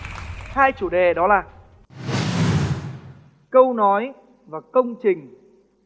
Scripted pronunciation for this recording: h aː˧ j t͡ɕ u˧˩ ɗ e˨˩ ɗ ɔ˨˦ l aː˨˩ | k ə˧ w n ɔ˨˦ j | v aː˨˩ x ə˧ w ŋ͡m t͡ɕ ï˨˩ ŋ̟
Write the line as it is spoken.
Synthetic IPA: h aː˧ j t͡ɕ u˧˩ ɗ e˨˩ ɗ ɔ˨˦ l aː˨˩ | k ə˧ w n ɔ˨˦ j | v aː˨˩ k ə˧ w ŋ͡m t͡ɕ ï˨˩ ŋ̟